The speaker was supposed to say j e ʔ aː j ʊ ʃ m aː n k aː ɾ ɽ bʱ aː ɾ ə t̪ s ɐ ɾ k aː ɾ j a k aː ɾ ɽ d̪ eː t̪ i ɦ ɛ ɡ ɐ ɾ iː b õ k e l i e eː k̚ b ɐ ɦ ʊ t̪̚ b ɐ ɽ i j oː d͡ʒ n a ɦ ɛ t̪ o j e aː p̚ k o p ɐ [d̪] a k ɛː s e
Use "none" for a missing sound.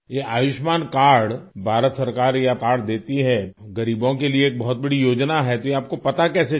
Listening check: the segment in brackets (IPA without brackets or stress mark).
t̪